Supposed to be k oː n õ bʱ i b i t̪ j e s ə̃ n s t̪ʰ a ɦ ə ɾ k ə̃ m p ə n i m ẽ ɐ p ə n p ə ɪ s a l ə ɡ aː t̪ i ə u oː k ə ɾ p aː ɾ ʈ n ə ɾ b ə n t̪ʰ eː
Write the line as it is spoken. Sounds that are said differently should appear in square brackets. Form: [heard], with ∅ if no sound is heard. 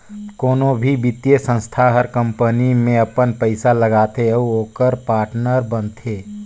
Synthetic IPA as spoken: k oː n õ bʱ i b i t̪ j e s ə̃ n s t̪ʰ a ɦ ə ɾ k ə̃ m p ə n i m ẽ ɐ p ə n p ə ɪ s a l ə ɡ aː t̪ [e] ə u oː k ə ɾ p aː ɾ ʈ n ə ɾ b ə n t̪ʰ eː